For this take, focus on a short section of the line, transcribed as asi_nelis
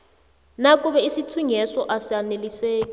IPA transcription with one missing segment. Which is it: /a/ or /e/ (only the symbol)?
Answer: a